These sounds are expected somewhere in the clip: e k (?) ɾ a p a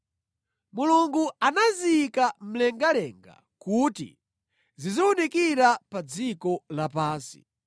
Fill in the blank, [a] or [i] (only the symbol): i